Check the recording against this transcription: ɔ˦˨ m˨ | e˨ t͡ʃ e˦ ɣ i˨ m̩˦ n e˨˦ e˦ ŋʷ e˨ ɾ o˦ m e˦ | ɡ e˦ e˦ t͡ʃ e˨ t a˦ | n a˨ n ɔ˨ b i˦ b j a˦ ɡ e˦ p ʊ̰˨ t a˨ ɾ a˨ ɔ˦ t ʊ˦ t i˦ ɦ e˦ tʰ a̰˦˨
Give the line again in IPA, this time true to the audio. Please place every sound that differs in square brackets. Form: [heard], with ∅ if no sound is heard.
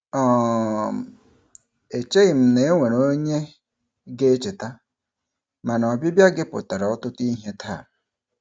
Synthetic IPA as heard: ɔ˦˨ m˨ | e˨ t͡ʃ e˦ ɣ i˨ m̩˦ n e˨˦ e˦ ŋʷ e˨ ɾ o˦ [ɲ] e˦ | ɡ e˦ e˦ t͡ʃ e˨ t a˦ | [m] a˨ n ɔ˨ b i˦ b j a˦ ɡ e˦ p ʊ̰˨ t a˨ ɾ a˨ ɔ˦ t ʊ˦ t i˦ ɦ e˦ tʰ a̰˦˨